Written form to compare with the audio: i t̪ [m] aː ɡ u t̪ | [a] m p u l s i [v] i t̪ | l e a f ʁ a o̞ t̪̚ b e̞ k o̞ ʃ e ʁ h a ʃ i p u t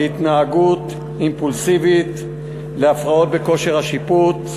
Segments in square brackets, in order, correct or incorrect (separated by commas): incorrect, incorrect, correct